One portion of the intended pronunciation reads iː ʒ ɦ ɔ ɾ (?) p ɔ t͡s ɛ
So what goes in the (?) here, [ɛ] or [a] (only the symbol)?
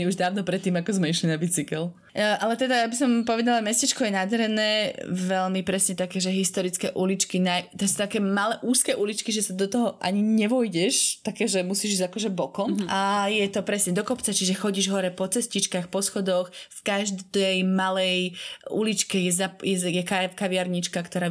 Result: ɛ